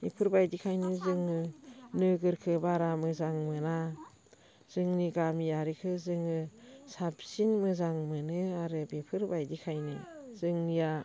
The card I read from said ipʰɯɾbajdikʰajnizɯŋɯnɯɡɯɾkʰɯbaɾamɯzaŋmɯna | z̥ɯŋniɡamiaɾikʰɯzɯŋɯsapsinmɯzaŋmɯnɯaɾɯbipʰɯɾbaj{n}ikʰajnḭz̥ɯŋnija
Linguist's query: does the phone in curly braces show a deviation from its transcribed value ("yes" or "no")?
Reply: yes